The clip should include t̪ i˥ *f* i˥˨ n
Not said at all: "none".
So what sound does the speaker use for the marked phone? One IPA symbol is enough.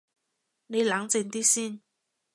s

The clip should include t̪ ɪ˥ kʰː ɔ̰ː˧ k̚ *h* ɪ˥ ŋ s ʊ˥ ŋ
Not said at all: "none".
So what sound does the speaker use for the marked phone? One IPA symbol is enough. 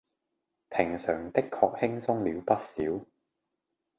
h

